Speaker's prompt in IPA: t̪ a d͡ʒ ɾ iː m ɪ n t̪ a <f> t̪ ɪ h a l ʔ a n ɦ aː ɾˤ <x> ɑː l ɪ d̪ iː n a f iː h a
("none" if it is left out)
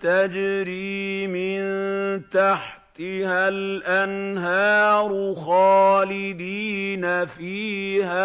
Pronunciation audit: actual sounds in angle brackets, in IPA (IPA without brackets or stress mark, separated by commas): ħ, x